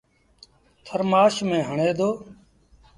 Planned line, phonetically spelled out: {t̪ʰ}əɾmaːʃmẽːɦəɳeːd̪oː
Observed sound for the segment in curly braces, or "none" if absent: t̪ʰ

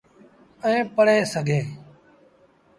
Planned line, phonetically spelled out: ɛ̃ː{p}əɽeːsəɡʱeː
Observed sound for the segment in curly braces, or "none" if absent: p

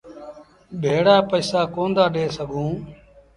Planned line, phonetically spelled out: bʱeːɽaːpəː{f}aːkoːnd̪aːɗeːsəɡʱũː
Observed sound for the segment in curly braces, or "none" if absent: s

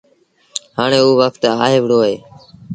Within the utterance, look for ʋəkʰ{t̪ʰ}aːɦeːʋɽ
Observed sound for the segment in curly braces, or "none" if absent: t̪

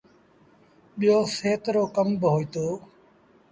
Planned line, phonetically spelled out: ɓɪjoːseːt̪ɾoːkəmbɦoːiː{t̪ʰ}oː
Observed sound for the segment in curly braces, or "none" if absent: t̪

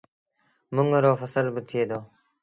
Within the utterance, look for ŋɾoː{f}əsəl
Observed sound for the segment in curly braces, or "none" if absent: f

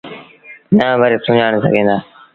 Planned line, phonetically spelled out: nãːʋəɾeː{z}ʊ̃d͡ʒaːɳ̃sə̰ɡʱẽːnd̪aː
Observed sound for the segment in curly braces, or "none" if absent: s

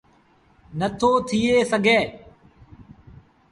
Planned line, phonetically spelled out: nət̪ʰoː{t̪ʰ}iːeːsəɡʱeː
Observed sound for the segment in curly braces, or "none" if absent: t̪ʰ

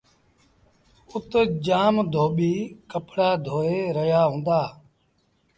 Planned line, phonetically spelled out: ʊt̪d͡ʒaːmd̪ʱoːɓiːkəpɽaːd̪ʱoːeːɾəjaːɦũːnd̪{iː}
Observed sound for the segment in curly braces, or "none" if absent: aː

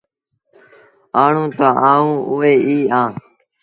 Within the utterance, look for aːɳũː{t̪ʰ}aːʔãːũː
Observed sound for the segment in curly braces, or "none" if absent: t̪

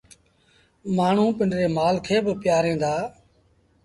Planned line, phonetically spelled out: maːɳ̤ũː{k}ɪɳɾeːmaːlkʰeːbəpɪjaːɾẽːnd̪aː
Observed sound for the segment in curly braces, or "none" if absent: p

